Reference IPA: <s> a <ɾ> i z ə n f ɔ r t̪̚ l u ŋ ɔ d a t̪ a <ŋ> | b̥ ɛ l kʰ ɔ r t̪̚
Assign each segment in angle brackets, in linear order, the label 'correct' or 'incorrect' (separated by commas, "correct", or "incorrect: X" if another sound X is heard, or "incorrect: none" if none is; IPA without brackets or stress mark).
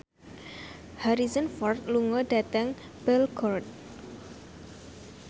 incorrect: h, correct, correct